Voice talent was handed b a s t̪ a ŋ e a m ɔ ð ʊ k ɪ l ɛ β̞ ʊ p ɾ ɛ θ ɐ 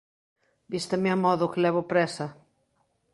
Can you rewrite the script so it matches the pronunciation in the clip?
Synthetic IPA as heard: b i s t̪ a m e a m ɔ ð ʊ k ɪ l ɛ β̞ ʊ p ɾ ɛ s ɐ